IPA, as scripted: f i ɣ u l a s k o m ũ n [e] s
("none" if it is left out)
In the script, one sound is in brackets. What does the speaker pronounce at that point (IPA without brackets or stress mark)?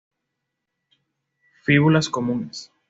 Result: e